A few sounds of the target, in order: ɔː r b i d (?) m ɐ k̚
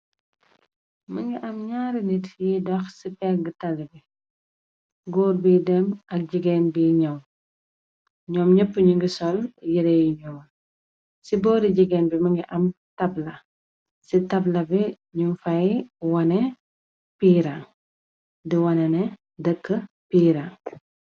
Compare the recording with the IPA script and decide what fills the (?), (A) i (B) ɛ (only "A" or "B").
B